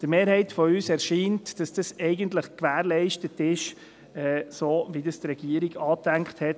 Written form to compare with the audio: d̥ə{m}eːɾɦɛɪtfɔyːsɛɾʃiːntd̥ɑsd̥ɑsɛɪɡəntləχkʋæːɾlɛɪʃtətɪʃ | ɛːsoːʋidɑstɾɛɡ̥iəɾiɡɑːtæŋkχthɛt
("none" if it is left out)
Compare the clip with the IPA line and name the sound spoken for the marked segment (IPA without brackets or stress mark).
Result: m